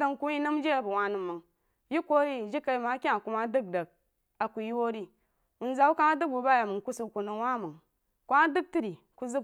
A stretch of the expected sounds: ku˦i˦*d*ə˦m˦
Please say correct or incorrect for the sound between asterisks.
incorrect